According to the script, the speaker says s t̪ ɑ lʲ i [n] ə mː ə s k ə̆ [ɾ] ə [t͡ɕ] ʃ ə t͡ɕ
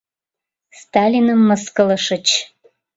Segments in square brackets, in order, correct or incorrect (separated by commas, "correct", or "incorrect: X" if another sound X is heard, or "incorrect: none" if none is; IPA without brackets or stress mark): correct, incorrect: l, incorrect: none